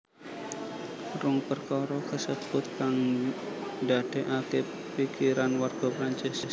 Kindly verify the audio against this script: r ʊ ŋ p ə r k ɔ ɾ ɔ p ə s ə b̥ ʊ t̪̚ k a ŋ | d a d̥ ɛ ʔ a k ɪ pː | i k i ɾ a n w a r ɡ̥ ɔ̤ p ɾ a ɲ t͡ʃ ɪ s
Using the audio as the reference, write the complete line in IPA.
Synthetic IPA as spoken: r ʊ ŋ p ə r k ɔ ɾ ɔ k ə s ə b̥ ʊ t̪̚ k a ŋ | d a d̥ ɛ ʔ a k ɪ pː | i k i ɾ a n w a r ɡ̥ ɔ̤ p ɾ a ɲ t͡ʃ ɪ s